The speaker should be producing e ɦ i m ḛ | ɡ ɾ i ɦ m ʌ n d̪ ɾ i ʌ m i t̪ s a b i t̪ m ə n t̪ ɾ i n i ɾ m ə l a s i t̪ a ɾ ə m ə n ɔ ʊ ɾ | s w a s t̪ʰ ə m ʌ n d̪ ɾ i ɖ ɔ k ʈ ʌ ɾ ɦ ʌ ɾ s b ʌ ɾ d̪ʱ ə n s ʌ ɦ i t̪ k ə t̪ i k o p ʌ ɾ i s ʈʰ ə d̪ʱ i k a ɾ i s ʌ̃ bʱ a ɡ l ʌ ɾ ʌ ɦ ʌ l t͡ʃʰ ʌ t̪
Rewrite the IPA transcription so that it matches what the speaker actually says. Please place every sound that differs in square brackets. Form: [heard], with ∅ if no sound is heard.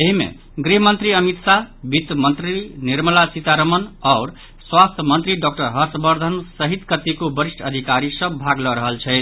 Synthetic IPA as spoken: e ɦ i m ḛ | ɡ ɾ i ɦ m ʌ n [t̪] ɾ i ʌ m i t̪ s a b i t̪ m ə n t̪ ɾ i n i ɾ m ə l a s i t̪ a ɾ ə m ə n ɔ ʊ ɾ | s w a s t̪ʰ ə m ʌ n [t̪] ɾ i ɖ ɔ k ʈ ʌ ɾ ɦ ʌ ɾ s b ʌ ɾ d̪ʱ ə n s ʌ ɦ i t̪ k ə t̪ i k o [b] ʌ ɾ i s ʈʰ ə d̪ʱ i k a ɾ i s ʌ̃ bʱ a ɡ l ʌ ɾ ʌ ɦ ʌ l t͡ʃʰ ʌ t̪